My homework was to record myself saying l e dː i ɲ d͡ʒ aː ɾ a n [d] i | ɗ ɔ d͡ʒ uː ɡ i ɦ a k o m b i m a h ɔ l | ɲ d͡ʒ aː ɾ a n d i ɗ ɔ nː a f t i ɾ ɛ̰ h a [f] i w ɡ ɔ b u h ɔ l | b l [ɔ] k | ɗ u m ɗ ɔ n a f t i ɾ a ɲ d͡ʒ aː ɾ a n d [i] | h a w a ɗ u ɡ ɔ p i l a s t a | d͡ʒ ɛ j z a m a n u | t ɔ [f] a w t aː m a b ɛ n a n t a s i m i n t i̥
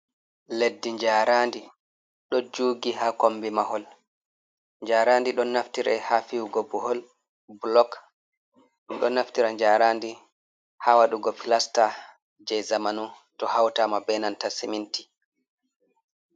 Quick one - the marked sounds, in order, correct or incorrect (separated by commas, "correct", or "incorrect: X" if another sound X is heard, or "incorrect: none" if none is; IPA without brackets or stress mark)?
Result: correct, correct, correct, correct, incorrect: h